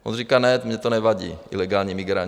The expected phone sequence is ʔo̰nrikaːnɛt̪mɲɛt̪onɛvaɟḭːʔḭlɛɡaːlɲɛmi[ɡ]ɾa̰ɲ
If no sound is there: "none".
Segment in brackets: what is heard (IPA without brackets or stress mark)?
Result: ɡ